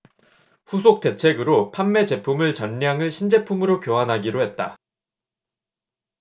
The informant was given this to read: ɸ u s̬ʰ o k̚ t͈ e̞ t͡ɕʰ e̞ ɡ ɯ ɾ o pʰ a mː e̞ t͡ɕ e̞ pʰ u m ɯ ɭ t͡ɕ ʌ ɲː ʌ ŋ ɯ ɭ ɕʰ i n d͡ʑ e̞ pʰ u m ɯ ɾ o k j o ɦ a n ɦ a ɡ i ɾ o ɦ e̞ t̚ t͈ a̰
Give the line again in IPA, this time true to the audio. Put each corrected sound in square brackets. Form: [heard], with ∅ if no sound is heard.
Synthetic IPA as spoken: ɸ u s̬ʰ o k̚ t͈ e̞ t͡ɕʰ e̞ ɡ ɯ ɾ o pʰ a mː e̞ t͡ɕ e̞ pʰ u m ɯ ɭ t͡ɕ ʌ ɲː [a] ŋ ɯ ɭ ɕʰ i n d͡ʑ e̞ pʰ u m ɯ ɾ o k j o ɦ a n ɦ a ɡ i ɾ o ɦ e̞ t̚ t͈ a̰